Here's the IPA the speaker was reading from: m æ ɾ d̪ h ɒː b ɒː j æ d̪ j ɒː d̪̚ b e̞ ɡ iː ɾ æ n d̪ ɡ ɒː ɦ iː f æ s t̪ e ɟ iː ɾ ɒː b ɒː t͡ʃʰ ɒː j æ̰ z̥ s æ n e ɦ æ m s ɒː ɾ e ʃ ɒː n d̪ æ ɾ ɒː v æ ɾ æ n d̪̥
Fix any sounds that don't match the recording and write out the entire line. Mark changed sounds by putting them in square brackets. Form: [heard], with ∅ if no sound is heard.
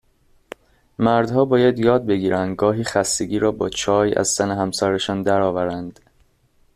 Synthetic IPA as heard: m æ ɾ d̪ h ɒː b ɒː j æ d̪ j ɒː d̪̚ b e̞ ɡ iː ɾ æ n d̪ ɡ ɒː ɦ iː [x] æ s t̪ e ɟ iː ɾ ɒː b ɒː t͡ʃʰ ɒː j æ̰ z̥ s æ n e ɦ æ m s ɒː ɾ e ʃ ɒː n d̪ æ ɾ ɒː v æ ɾ æ n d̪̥